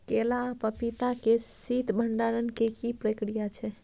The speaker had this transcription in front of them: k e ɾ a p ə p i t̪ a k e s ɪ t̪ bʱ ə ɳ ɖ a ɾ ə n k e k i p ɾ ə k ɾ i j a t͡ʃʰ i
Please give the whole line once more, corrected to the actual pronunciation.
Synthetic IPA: k e l a p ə p i t̪ a k e s i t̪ bʱ ə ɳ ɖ a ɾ ə n k e k i p ɾ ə k ɾ i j a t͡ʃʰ ɛ